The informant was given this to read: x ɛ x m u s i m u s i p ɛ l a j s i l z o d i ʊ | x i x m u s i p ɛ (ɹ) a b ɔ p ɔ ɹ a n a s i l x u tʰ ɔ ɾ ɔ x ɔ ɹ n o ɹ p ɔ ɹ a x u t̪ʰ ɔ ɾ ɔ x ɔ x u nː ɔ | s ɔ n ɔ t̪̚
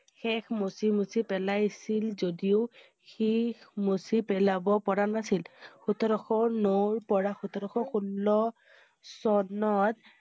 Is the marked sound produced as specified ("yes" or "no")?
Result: no